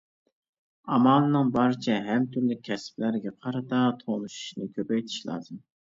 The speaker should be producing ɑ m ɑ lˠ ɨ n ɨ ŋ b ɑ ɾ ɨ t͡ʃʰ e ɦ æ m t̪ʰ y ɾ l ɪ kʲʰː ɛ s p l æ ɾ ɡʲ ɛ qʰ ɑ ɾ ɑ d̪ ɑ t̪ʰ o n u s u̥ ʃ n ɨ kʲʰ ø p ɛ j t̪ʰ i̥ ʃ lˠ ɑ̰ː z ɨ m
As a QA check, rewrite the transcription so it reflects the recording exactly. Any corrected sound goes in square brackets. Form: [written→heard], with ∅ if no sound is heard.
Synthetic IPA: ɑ m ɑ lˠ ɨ n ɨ ŋ b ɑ ɾ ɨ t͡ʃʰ [e→ɛ] ɦ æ m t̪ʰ y ɾ l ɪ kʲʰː ɛ s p l æ ɾ ɡʲ ɛ qʰ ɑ ɾ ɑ [d̪→t̪] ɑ t̪ʰ o n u [s→ʃ] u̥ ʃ n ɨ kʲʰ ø p ɛ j t̪ʰ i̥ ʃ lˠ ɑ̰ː z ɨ m